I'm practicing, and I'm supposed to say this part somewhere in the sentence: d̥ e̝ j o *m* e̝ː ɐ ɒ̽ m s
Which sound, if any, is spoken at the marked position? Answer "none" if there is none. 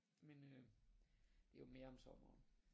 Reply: m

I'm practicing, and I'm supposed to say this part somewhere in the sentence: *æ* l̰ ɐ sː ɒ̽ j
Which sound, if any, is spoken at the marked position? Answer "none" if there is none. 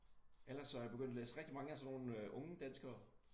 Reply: e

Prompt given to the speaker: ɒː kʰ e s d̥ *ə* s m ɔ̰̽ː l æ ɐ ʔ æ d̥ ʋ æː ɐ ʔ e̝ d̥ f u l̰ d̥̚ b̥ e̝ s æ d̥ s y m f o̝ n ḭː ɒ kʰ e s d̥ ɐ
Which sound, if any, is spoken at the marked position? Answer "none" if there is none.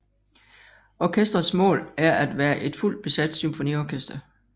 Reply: ɐ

